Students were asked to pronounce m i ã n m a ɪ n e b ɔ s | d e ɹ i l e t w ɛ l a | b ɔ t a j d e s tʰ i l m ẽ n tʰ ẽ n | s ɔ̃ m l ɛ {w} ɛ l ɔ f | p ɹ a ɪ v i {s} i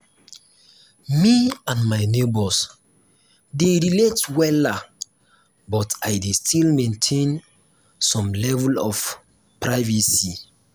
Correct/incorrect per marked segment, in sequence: incorrect, correct

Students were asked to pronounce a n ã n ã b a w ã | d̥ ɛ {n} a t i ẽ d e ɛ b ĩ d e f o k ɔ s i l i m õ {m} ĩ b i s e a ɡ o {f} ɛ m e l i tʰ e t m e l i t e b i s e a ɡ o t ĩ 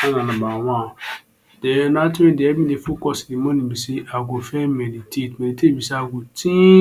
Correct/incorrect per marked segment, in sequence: correct, incorrect, correct

